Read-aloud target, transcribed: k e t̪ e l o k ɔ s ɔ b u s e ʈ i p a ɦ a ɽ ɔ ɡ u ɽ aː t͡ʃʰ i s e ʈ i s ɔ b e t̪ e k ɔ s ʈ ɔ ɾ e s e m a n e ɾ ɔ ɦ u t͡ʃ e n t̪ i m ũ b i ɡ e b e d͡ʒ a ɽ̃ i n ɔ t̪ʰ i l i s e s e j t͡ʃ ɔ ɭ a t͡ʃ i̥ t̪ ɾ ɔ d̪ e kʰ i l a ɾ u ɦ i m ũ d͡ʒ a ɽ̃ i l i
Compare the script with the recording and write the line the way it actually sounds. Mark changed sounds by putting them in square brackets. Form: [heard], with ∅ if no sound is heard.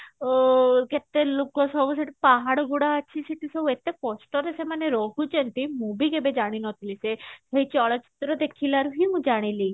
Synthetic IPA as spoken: k e t̪ e l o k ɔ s ɔ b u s e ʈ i p a ɦ a ɽ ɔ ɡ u ɽ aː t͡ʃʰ i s e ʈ i s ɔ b e t̪ e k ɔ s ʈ ɔ ɾ e s e m a n e ɾ ɔ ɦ u t͡ʃ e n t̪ i m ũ b i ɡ e b e d͡ʒ a ɽ̃ i n ɔ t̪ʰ i l i s e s e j t͡ʃ ɔ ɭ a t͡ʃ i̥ t̪ ɾ ɔ d̪ e kʰ i l a ɾ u ɦ i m ũ d͡ʒ a ɽ̃ i l i

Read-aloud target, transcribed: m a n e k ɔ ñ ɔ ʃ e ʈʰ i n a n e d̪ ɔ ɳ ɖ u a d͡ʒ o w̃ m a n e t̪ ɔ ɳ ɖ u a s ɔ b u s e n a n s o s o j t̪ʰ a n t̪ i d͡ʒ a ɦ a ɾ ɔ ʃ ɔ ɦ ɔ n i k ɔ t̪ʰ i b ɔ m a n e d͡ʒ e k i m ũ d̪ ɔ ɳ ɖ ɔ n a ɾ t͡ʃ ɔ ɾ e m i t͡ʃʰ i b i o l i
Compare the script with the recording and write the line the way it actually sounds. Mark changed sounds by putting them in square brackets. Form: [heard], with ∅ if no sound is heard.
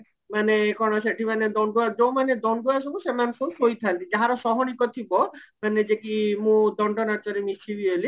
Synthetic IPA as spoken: m a n e k ɔ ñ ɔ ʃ e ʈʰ i [m] a n e d̪ ɔ ɳ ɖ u a d͡ʒ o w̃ m a n e [d̪] ɔ ɳ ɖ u a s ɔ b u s e [m] a n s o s o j t̪ʰ a n t̪ i d͡ʒ a ɦ a ɾ ɔ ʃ ɔ ɦ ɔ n i k ɔ t̪ʰ i b ɔ m a n e d͡ʒ e k i m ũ d̪ ɔ ɳ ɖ ɔ n a ɾ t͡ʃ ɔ ɾ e m i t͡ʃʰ i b i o l i

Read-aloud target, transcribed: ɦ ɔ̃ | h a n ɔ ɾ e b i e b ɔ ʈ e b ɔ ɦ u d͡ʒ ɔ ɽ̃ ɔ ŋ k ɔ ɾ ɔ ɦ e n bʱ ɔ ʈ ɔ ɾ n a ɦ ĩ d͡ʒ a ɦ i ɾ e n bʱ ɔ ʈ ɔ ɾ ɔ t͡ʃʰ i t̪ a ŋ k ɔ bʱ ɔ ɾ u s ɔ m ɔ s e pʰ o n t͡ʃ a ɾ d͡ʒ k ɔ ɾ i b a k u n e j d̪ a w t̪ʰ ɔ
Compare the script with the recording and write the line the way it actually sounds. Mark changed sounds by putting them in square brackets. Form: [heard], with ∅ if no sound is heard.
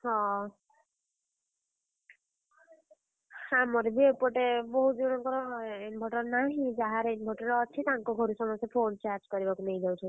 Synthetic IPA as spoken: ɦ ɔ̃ | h a [m] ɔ ɾ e b i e [p] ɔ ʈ e b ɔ ɦ u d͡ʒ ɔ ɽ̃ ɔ ŋ k ɔ ɾ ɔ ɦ e n bʱ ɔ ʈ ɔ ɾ n a ɦ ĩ d͡ʒ a ɦ [a] ɾ e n bʱ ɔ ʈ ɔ ɾ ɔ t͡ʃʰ i t̪ a ŋ k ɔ [ɡʱ] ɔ ɾ u s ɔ m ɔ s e pʰ o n t͡ʃ a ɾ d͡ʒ k ɔ ɾ i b a k u n e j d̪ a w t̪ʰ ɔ

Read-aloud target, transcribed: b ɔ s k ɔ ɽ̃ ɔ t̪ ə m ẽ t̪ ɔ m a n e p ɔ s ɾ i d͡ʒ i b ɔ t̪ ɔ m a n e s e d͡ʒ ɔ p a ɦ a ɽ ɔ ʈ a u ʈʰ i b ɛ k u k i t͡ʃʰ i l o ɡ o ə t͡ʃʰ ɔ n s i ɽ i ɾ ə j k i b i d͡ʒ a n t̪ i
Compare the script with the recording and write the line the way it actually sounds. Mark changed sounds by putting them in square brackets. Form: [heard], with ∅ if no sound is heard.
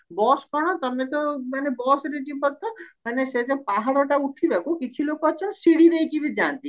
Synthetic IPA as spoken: b ɔ s k ɔ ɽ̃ ɔ t̪ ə m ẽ t̪ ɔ m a n e [b] ɔ s ɾ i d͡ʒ i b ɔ t̪ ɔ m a n e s e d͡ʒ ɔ p a ɦ a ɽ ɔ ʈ a u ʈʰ i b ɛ k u k i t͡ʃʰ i l o [k] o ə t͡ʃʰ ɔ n s i ɽ i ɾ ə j k i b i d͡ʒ a n t̪ i

